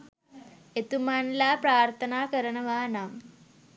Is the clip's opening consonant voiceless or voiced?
voiceless